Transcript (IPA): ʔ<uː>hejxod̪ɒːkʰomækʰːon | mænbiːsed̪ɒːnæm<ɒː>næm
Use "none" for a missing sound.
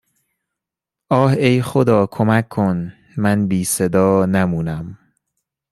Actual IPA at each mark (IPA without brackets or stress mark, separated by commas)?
ɒː, uː